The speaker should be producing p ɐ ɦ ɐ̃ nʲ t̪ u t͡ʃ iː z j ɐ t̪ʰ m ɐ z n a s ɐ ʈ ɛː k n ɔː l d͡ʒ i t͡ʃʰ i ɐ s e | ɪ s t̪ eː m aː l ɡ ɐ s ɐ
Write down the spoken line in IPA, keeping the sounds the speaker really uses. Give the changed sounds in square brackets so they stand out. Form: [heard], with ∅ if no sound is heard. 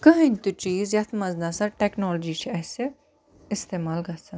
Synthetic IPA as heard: [k] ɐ ɦ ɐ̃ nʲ t̪ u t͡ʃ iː z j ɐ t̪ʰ m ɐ z n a s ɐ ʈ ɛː k n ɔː l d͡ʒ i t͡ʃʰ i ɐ s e | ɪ s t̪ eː m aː l ɡ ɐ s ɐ